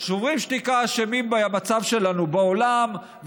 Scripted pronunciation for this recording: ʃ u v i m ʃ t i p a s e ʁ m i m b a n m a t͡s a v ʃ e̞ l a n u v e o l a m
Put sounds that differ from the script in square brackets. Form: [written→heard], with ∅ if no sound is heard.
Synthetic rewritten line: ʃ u [v→ʁ] i m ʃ t i [p→k] a [s→ʃ] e [ʁ→∅] m i m b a [n→∅] m a t͡s a v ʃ e̞ l a n u [v→b] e o l a m